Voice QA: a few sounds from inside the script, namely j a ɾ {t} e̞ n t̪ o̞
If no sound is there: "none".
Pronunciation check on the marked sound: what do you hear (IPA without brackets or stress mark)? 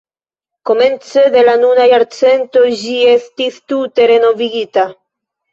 t͡s